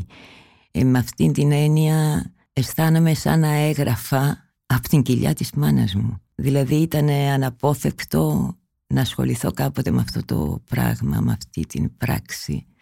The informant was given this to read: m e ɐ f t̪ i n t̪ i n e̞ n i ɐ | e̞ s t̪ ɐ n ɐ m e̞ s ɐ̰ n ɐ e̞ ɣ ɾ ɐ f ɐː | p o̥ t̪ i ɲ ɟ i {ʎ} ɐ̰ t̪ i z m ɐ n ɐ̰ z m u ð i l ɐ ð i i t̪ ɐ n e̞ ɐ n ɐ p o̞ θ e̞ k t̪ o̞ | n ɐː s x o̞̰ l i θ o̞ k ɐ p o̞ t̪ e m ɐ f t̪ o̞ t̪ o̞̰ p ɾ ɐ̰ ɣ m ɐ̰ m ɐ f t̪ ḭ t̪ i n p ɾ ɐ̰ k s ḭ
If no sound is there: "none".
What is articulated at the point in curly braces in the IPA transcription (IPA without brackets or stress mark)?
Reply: ʎ